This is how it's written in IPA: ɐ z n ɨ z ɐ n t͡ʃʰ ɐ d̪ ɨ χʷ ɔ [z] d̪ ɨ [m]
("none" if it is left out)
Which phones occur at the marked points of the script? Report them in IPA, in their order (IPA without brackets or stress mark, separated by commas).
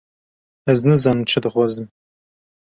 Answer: z, m